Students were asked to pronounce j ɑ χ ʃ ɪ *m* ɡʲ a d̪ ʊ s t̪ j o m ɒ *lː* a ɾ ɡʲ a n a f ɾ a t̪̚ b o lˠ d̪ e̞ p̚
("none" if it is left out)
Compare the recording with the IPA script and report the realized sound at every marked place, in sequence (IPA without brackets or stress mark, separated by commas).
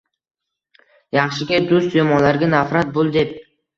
none, l